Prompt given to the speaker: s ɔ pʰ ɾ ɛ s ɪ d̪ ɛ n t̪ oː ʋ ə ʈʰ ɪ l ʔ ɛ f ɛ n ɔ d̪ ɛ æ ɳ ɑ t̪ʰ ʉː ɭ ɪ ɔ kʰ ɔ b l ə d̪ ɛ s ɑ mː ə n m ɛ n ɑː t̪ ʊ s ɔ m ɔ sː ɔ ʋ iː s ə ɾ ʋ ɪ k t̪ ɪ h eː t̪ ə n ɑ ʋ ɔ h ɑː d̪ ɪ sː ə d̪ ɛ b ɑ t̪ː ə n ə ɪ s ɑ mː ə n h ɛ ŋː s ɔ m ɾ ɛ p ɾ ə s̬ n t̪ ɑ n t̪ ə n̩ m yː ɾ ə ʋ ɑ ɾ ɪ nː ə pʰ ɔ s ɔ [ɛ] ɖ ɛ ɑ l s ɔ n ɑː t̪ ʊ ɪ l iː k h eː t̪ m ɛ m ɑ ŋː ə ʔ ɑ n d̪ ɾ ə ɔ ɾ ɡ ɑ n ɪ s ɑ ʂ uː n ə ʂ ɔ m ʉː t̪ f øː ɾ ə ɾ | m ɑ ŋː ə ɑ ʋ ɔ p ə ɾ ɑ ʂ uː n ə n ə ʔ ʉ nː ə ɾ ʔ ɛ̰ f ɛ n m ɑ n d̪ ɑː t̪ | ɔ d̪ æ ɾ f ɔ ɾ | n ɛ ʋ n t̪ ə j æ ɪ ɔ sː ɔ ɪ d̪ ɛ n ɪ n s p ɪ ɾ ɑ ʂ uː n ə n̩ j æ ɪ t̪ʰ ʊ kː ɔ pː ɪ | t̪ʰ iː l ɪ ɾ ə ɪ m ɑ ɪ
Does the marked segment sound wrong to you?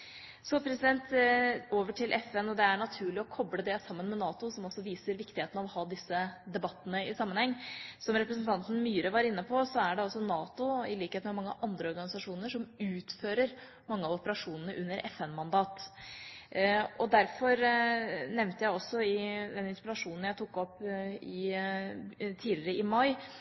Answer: yes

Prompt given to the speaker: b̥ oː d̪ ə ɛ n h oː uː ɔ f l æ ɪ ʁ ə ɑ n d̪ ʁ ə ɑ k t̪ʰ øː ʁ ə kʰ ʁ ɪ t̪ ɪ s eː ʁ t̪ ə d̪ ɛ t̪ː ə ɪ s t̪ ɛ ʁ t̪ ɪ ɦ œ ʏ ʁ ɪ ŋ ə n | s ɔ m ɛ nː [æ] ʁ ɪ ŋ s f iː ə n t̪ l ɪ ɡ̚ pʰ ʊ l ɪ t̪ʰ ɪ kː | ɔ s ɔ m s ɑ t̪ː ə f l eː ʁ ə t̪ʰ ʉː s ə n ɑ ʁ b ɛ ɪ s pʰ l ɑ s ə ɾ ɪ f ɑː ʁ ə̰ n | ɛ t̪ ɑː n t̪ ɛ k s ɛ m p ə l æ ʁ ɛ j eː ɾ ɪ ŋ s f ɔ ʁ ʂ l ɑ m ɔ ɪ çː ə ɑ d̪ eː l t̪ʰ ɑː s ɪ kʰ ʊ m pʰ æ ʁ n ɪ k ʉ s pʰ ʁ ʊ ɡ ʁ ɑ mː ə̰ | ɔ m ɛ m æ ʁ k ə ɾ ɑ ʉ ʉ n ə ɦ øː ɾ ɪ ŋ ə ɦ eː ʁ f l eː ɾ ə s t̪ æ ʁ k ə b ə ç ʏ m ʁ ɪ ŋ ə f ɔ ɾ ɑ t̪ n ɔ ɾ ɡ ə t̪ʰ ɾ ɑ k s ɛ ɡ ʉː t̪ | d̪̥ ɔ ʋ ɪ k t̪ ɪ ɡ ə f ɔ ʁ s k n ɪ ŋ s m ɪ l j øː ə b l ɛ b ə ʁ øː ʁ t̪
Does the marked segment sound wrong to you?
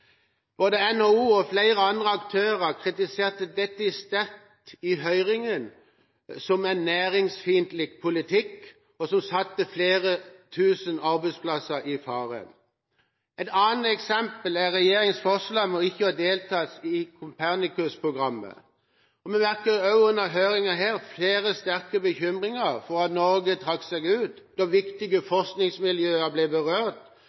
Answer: yes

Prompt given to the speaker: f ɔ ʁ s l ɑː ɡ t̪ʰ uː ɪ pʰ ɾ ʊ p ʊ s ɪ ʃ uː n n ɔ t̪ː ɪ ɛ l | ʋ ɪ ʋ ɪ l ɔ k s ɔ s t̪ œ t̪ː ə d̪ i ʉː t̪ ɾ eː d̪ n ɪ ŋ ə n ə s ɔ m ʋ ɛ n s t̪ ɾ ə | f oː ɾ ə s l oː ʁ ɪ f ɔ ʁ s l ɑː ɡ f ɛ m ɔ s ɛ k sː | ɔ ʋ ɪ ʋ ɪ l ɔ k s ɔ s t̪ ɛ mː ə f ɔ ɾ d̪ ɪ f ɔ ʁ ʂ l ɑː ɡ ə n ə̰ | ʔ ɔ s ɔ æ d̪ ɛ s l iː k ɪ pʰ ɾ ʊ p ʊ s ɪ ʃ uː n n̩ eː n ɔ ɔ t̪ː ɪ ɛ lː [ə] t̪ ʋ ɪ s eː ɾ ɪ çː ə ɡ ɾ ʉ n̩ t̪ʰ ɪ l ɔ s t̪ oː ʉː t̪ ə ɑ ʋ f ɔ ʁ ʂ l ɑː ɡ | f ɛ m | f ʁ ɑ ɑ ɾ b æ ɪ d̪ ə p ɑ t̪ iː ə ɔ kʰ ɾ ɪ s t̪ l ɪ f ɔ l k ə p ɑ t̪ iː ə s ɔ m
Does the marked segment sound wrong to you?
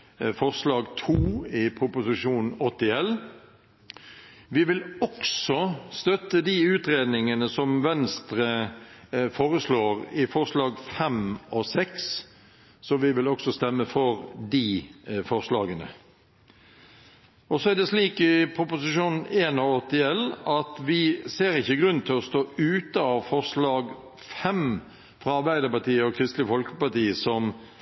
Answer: yes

